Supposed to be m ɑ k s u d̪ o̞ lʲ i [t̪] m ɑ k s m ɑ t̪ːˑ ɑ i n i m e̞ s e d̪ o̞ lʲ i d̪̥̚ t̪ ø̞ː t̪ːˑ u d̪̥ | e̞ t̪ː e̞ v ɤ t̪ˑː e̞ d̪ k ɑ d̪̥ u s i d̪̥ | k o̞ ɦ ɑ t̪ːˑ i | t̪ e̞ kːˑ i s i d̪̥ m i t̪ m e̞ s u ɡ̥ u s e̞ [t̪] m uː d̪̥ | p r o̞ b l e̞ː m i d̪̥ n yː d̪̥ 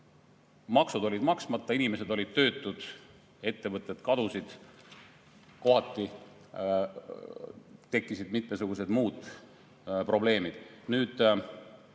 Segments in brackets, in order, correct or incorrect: incorrect, incorrect

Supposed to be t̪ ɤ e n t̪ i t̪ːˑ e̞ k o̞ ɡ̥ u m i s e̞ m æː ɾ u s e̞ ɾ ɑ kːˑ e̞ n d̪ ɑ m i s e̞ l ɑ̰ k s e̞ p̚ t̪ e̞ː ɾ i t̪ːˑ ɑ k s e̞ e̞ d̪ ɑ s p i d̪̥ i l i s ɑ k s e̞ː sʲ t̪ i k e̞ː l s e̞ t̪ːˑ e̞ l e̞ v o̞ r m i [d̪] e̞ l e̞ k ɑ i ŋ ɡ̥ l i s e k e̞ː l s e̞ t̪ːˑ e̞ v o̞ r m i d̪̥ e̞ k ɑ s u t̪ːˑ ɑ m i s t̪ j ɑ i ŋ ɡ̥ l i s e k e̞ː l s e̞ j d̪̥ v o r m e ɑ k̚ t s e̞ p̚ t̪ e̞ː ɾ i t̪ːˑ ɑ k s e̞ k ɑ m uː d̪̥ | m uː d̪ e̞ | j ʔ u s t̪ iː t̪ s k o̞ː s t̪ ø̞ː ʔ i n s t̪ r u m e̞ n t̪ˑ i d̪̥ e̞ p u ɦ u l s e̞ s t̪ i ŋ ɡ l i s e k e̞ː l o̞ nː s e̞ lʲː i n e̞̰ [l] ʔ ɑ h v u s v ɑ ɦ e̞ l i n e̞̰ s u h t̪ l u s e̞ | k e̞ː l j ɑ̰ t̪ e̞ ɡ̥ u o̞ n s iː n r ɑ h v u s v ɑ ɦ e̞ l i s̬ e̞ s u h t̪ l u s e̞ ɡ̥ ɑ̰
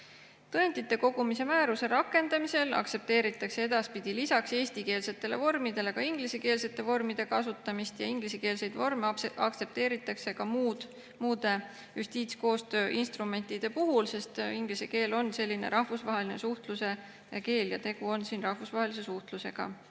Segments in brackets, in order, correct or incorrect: correct, incorrect

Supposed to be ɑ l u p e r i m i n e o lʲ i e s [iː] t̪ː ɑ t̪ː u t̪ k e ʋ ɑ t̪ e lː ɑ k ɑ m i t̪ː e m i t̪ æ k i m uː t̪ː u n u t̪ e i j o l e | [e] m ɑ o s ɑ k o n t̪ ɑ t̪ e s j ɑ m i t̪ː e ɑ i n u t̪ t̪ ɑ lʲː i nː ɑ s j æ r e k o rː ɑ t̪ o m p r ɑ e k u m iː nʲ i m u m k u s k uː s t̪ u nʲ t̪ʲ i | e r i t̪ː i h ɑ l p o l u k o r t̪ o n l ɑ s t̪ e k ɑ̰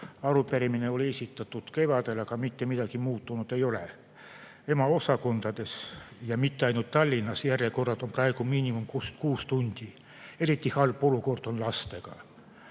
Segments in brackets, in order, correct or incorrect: incorrect, correct

